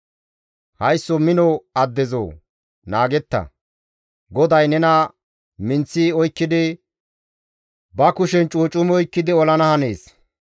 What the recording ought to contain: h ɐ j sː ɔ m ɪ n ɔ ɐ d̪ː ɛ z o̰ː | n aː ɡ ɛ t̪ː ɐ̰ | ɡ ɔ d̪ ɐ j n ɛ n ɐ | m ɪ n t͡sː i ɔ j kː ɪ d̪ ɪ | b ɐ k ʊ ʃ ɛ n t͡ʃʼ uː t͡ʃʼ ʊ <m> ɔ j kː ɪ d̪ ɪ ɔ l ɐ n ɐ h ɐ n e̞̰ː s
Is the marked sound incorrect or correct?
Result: correct